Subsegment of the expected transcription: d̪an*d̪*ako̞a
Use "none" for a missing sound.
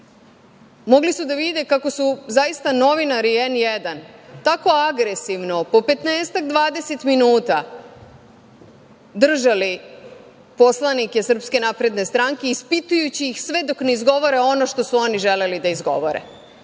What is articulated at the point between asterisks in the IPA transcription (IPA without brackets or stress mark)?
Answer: t̪